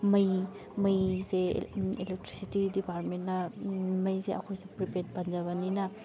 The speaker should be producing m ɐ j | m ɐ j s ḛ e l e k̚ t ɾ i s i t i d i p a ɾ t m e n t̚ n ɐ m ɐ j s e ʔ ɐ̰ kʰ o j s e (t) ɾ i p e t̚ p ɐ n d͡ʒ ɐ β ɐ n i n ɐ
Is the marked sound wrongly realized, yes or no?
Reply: yes